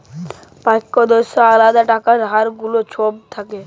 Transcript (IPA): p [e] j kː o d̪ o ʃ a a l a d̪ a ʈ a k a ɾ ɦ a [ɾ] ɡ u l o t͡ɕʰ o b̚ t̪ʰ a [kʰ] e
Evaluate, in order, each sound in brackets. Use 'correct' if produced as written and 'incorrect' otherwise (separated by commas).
incorrect, correct, incorrect